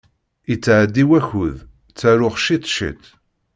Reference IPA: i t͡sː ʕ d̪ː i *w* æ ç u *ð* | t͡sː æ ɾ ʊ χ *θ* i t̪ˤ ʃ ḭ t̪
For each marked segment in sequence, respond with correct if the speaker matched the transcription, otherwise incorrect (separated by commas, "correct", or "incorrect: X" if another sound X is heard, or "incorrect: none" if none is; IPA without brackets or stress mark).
correct, correct, incorrect: ʃ